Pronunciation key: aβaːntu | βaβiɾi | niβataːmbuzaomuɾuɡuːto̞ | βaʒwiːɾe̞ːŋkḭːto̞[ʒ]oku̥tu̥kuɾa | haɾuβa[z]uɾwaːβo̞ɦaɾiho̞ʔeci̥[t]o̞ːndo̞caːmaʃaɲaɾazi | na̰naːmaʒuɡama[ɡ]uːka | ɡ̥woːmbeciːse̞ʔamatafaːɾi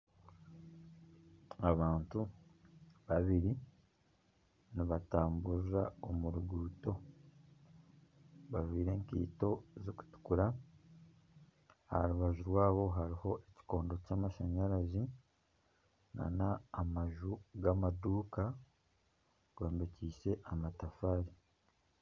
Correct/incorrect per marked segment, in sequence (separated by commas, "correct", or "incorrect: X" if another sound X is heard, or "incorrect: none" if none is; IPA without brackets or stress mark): incorrect: z, incorrect: ʒ, incorrect: k, incorrect: d